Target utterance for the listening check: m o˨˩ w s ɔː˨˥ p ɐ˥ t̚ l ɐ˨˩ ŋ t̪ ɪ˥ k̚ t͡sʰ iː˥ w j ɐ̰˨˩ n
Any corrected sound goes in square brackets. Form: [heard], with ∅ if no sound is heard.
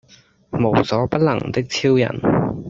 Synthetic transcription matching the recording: m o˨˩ w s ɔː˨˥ p ɐ˥ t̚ l ɐ˨˩ ŋ t̪ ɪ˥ k̚ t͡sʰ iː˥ w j ɐ̰˨˩ n